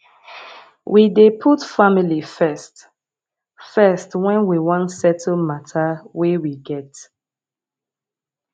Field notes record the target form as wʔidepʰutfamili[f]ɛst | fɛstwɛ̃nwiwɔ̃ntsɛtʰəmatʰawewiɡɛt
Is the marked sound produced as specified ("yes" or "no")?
yes